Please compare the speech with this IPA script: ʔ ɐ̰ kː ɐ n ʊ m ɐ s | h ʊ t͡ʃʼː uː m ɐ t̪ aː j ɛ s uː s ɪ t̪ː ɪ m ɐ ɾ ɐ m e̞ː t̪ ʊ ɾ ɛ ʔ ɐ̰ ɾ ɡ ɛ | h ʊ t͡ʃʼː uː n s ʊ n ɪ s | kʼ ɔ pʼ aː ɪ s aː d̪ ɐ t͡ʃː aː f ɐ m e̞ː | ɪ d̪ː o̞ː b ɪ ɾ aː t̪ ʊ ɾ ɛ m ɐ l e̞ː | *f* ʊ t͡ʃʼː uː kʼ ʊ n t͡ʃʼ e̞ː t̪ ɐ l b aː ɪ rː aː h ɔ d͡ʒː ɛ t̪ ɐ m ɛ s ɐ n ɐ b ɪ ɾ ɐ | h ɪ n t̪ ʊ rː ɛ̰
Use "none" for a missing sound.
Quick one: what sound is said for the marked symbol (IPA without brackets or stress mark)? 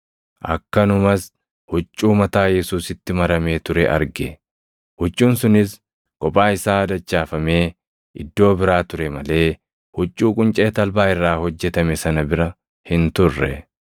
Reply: h